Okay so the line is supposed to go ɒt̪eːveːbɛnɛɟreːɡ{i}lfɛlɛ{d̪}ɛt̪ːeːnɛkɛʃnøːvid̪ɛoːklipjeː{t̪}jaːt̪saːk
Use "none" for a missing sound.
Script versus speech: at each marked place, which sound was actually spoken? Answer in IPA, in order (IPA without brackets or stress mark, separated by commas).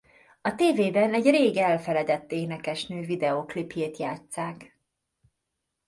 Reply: ɛ, d̪, t̪